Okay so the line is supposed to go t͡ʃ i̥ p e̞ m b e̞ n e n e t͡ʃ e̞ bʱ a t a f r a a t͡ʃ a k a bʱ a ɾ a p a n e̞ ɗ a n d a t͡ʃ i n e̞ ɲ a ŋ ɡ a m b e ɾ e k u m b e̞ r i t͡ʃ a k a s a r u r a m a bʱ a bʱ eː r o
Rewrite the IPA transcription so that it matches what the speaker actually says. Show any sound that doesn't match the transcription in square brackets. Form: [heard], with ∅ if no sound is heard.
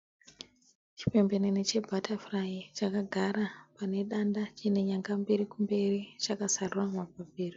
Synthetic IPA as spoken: t͡ʃ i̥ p e̞ m b e̞ n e n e t͡ʃ e̞ bʱ a t a f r a [i] t͡ʃ a k a [ɡʱ] a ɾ a p a n e̞ ɗ a n d a t͡ʃ i n e̞ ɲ a ŋ ɡ a m b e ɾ [i] k u m b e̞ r i t͡ʃ a k a s a r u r a m a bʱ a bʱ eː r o